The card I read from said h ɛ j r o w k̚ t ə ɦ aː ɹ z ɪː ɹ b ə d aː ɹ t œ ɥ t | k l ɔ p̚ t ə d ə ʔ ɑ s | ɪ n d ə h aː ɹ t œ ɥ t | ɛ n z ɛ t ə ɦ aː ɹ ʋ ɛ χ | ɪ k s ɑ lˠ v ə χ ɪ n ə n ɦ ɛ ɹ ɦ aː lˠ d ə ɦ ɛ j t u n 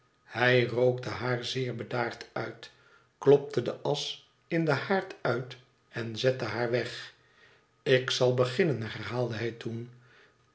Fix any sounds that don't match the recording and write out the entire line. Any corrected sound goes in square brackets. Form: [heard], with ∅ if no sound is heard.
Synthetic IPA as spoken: h ɛ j r o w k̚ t ə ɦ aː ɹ z ɪː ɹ b ə d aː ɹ t œ ɥ t | k l ɔ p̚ t ə d ə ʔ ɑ s | ɪ n d ə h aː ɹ t œ ɥ t | ɛ n z ɛ t ə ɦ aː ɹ ʋ ɛ χ | ɪ k s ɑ lˠ [b] ə χ ɪ n ə n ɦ ɛ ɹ ɦ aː lˠ d ə ɦ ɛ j t u n